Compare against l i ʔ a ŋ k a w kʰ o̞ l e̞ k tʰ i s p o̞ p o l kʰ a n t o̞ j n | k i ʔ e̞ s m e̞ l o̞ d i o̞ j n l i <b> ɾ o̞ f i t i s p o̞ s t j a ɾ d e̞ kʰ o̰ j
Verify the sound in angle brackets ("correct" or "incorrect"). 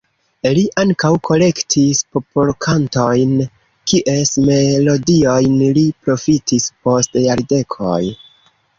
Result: incorrect